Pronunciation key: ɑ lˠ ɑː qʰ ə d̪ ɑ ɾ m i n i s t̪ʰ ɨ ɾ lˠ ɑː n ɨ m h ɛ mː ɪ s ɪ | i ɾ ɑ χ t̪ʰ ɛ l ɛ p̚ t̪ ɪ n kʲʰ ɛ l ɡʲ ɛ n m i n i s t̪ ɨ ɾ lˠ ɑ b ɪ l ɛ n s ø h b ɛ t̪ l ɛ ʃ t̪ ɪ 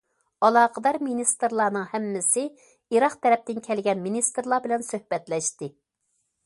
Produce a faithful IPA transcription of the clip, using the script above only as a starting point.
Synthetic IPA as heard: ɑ lˠ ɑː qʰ ə d̪ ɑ ɾ m i n i s t̪ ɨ ɾ lˠ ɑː n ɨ ŋ h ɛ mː ɪ s ɪ | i ɾ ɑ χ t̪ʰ ɛ ɾ ɛ p̚ t̪ ɪ n kʲʰ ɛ l ɡʲ ɛ n m i n i s t̪ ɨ ɾ lˠ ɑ b ɪ l ɛ n s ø h b ɛ t̪ l ɛ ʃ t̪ ɪ